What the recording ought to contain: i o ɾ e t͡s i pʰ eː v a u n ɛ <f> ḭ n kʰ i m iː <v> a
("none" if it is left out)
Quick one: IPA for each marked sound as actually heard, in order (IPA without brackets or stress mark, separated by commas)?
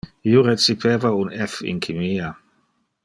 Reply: f, none